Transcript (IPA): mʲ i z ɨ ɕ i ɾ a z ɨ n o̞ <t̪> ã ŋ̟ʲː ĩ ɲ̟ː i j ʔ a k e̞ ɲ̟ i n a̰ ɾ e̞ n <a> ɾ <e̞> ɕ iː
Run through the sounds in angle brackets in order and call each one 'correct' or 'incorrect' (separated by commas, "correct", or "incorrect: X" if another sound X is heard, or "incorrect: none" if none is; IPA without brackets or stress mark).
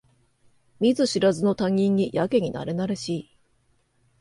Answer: correct, correct, correct